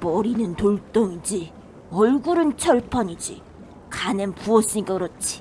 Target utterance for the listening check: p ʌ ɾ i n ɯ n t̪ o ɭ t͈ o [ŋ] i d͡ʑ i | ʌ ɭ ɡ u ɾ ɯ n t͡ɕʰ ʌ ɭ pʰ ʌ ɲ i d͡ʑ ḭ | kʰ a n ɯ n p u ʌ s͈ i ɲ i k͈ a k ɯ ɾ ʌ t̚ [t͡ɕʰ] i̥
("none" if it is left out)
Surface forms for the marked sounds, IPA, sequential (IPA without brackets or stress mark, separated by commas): ŋ, t͡ɕʰ